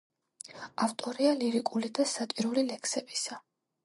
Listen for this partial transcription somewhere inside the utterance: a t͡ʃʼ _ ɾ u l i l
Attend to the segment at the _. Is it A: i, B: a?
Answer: A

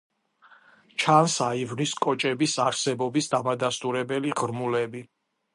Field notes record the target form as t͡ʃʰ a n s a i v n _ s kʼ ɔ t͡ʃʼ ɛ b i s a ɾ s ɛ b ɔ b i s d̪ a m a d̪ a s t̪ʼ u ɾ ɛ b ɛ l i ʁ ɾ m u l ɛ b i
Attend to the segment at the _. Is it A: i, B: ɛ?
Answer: A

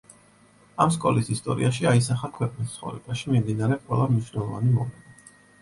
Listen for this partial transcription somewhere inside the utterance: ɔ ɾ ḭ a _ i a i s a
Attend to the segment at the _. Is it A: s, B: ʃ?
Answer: B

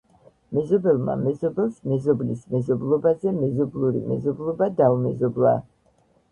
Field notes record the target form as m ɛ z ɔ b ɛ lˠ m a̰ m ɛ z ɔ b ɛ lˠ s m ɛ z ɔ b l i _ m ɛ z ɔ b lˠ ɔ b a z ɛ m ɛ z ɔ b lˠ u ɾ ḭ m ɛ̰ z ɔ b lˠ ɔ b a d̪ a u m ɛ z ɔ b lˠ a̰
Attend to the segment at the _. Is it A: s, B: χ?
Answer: A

